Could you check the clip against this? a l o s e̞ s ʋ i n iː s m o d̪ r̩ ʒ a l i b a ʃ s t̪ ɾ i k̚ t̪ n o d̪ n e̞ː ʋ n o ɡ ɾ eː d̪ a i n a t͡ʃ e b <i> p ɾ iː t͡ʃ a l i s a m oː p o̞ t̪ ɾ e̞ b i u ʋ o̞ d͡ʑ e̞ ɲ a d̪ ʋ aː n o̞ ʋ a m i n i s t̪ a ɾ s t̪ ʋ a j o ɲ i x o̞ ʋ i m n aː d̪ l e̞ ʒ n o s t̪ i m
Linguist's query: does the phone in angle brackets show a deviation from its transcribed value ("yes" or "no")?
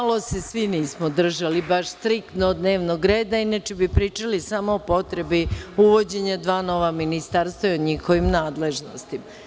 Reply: no